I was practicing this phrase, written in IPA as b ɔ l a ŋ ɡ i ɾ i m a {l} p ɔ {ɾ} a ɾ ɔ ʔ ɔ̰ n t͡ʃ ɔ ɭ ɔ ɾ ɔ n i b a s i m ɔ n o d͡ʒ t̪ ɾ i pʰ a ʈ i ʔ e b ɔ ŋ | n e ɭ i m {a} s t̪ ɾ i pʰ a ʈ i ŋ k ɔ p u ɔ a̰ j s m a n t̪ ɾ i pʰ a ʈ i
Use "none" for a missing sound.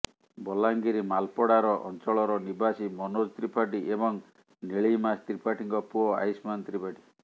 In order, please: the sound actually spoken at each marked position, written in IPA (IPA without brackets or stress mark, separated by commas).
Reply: l, ɽ, a